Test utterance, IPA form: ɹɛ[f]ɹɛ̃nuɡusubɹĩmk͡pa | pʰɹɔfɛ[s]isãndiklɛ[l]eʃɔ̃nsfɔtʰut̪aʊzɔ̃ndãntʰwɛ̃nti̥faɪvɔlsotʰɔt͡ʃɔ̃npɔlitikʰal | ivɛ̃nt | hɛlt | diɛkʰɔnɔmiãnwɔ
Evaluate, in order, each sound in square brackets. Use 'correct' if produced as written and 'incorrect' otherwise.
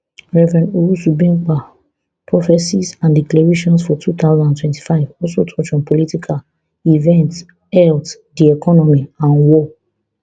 incorrect, correct, incorrect

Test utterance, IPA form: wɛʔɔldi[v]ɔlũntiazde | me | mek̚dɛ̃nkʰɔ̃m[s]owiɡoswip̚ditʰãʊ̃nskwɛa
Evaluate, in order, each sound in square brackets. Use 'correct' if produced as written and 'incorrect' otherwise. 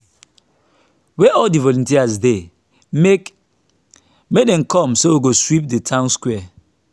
correct, correct

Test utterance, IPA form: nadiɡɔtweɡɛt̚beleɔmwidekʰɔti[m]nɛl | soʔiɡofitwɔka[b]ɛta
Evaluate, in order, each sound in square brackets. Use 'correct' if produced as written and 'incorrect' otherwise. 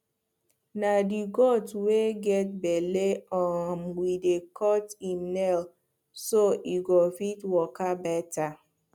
correct, correct

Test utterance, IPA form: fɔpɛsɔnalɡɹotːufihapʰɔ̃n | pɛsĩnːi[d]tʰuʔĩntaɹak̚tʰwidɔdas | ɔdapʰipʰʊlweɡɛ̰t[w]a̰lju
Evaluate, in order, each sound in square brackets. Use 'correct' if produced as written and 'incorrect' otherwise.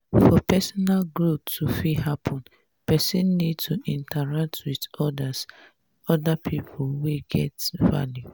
correct, incorrect

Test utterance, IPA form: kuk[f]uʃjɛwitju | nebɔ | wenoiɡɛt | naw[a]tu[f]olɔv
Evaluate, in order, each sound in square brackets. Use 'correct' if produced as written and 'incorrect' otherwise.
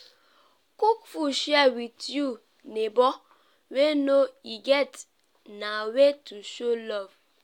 correct, incorrect, incorrect

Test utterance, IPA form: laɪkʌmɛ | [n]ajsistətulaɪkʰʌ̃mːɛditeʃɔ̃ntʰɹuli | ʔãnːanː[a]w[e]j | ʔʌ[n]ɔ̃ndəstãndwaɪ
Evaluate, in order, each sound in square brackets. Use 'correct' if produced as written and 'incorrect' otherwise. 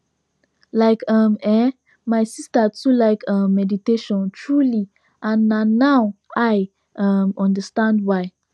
incorrect, correct, incorrect, incorrect

